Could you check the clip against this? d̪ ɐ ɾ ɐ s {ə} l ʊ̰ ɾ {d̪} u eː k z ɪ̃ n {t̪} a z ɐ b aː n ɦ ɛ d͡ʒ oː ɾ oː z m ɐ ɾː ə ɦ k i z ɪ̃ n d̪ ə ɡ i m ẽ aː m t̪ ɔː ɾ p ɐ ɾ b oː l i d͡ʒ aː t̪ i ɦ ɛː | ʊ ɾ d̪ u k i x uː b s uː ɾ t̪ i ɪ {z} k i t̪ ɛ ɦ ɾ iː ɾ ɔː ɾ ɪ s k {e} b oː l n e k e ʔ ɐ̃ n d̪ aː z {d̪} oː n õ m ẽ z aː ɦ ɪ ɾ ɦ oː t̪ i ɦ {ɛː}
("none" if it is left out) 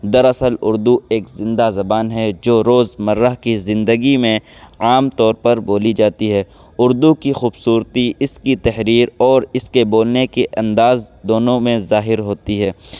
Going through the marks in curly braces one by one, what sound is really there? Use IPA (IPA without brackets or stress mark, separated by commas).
ə, d̪, d̪, s, e, d̪, ɛː